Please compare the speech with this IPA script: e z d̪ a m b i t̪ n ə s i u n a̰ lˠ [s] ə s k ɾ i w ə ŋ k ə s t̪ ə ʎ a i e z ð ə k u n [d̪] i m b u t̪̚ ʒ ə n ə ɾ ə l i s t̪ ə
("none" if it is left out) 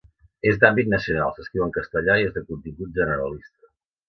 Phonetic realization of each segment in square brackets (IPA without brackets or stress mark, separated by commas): s, t̪